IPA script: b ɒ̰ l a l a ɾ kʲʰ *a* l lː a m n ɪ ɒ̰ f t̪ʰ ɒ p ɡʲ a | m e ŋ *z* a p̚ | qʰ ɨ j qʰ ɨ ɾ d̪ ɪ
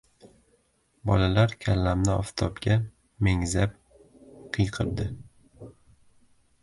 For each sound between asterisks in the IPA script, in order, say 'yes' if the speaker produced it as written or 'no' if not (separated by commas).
yes, yes